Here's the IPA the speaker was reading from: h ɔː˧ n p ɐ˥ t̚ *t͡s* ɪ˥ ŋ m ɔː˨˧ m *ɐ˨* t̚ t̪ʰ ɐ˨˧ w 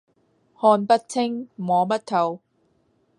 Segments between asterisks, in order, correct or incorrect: incorrect, incorrect

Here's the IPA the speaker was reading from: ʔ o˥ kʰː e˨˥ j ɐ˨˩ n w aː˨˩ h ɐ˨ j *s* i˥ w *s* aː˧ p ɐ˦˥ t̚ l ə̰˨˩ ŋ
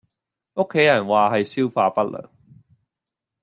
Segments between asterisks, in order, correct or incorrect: correct, incorrect

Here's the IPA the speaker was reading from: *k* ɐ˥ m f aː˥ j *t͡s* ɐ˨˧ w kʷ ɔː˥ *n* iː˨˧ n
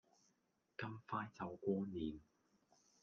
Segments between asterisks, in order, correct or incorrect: correct, correct, correct

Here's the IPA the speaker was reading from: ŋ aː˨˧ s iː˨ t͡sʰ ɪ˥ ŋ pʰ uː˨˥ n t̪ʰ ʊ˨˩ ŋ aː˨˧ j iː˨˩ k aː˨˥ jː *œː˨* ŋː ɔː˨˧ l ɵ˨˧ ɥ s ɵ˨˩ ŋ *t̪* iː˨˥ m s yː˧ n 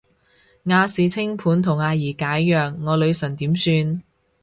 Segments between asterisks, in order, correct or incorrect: correct, correct

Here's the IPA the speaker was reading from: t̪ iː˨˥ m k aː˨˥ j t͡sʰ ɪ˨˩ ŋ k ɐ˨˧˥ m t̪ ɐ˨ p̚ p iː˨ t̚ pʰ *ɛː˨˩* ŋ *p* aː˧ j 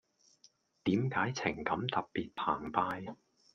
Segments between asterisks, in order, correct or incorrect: incorrect, correct

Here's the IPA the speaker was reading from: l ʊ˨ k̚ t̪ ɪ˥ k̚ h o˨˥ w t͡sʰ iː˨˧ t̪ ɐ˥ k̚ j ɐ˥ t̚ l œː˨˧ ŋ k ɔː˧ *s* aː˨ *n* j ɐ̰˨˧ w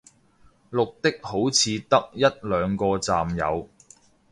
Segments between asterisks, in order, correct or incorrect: incorrect, incorrect

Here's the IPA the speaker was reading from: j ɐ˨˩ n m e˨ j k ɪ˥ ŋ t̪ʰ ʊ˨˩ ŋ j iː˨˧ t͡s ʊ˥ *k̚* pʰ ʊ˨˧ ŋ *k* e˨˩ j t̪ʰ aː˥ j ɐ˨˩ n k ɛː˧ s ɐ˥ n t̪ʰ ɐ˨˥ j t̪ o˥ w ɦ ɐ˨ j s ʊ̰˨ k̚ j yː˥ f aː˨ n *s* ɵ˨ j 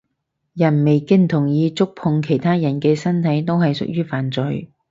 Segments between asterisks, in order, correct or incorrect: correct, incorrect, incorrect

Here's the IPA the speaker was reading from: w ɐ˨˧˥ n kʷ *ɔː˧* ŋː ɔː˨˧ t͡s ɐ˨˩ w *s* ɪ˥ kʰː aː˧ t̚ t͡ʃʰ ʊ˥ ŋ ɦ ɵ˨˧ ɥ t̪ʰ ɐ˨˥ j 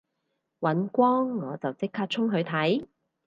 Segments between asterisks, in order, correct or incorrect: incorrect, incorrect

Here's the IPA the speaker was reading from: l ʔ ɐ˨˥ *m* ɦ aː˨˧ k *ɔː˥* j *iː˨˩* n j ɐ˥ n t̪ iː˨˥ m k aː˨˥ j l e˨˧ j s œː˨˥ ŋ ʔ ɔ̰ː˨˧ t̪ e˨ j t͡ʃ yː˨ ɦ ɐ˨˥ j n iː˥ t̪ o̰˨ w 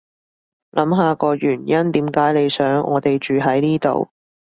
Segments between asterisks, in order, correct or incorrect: correct, incorrect, incorrect

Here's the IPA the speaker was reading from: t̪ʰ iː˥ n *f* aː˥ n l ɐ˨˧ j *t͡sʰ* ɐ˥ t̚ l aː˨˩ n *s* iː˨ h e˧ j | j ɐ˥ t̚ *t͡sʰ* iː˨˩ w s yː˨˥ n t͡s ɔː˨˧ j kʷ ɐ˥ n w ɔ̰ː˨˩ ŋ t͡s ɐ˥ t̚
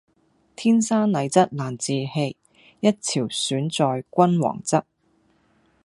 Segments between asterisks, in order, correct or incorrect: incorrect, incorrect, incorrect, correct

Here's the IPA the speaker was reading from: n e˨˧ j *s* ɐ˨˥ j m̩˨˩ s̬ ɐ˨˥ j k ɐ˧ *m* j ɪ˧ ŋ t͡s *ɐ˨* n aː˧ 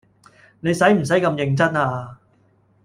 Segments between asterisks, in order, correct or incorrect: correct, correct, incorrect

